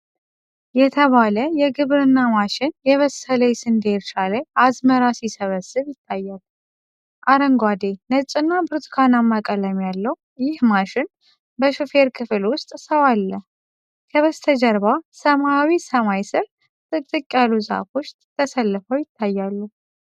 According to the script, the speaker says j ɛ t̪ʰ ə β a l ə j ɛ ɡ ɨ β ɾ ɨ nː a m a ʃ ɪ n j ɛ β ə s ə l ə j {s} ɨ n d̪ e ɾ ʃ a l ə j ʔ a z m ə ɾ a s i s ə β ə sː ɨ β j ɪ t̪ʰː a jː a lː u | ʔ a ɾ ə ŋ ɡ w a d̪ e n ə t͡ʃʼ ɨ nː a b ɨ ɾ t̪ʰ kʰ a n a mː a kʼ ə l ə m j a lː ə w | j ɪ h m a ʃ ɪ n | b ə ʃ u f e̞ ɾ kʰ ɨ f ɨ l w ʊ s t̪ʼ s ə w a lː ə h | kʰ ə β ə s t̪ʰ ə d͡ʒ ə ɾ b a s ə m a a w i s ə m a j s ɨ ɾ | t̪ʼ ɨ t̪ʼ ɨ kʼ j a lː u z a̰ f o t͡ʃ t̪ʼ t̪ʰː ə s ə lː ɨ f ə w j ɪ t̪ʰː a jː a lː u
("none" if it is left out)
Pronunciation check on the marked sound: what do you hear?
s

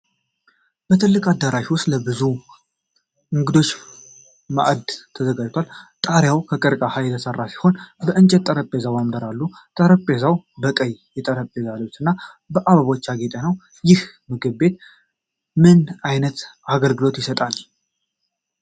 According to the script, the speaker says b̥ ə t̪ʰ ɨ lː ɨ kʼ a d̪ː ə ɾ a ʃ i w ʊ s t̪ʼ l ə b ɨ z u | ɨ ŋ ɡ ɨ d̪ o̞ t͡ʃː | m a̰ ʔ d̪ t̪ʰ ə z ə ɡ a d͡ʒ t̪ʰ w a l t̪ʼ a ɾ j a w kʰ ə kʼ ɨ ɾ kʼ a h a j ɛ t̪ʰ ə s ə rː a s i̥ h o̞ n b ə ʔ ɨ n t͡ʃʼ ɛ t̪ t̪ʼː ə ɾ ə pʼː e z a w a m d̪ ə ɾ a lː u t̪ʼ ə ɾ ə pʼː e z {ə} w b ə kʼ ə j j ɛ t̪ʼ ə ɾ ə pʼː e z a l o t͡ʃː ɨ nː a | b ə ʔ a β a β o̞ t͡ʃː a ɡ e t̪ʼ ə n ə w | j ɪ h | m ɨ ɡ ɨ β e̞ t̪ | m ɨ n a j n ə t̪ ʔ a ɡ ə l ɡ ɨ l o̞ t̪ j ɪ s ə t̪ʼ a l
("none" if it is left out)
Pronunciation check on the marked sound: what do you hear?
a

